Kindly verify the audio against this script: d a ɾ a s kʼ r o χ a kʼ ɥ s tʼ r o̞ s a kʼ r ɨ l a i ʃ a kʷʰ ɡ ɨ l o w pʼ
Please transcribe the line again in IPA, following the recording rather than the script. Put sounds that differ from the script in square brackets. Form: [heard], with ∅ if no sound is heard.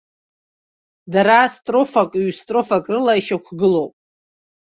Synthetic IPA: d a ɾ a s [tʼ] r o [f] a kʼ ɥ s tʼ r o̞ [f] a kʼ r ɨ l a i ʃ a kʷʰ ɡ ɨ l o w pʼ